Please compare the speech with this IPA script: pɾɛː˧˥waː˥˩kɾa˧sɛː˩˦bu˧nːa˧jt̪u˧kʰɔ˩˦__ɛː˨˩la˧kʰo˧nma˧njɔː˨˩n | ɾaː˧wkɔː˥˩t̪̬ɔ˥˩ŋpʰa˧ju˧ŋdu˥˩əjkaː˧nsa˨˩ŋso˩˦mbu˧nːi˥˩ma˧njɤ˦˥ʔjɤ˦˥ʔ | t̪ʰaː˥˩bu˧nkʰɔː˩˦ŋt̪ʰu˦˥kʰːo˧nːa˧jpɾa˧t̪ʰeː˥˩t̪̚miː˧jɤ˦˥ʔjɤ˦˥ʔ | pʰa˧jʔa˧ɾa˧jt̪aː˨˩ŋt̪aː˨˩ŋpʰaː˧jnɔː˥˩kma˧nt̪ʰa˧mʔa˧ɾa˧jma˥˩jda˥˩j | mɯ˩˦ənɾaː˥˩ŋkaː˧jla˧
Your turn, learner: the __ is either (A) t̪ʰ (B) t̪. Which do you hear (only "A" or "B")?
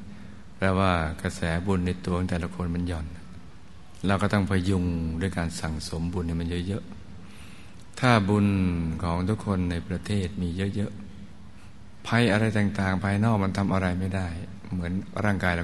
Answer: B